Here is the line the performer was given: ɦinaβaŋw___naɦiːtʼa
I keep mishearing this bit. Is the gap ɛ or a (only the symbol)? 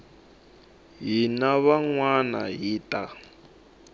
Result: a